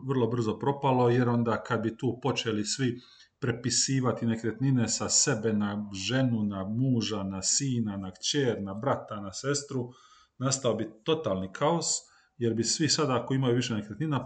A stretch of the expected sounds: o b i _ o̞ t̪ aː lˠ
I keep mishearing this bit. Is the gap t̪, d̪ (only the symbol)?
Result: t̪